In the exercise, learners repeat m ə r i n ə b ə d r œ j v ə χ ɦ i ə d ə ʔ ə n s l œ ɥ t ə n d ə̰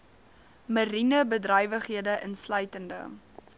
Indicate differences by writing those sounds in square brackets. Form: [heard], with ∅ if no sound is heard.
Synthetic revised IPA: m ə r i n ə b ə d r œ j v ə χ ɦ i ə d ə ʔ ə n s l œ ɥ t ə n d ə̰